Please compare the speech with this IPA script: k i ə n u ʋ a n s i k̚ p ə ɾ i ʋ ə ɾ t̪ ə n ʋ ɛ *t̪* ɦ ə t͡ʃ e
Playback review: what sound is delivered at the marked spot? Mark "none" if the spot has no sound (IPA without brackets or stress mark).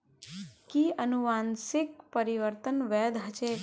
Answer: d̪